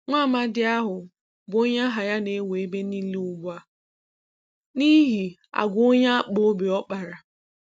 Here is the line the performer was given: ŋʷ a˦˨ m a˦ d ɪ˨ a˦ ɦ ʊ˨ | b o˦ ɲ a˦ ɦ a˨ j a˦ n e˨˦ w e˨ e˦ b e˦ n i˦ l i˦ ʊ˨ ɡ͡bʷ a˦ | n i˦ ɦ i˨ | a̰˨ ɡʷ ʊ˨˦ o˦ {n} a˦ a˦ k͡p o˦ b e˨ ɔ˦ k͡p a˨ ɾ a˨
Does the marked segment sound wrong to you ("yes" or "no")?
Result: yes